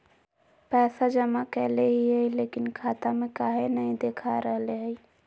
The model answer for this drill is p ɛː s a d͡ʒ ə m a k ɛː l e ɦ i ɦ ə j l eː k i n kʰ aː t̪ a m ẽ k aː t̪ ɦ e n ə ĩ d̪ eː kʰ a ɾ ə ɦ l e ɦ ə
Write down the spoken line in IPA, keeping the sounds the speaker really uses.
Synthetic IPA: p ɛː s a d͡ʒ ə m a k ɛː l e ɦ i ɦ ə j l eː k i n kʰ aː t̪ a m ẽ k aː ɦ e n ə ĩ d̪ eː kʰ a ɾ ə ɦ l e ɦ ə